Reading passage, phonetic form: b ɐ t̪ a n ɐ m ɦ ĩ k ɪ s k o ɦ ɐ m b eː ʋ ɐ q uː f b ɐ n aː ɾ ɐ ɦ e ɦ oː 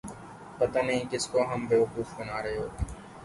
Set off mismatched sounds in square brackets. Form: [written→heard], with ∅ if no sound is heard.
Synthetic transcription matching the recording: [b→p] ɐ t̪ a n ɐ [m→∅] ɦ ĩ k ɪ s k o ɦ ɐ m b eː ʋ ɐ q uː f b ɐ n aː ɾ ɐ ɦ e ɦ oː